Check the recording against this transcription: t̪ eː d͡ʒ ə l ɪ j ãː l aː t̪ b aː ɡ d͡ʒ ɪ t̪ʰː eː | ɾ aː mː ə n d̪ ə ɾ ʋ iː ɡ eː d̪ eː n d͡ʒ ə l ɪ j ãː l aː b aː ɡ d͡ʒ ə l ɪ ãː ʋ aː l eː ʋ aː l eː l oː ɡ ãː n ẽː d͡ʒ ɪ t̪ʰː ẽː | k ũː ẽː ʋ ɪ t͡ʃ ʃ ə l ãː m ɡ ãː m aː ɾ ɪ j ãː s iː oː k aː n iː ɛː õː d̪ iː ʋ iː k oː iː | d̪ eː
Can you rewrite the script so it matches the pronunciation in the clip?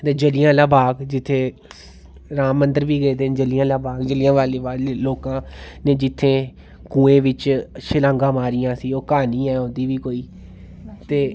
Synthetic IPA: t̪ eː d͡ʒ ə l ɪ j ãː l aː b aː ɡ d͡ʒ ɪ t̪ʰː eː | ɾ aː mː ə n d̪ ə ɾ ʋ iː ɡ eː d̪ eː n d͡ʒ ə l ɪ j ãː l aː b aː ɡ d͡ʒ ə l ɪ ãː ʋ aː l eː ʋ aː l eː l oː k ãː n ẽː d͡ʒ ɪ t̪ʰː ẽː | k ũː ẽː ʋ ɪ t͡ʃ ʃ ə l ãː ŋ ɡ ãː m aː ɾ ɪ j ãː s iː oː k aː n iː ɛː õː d̪ iː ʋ iː k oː iː | t̪ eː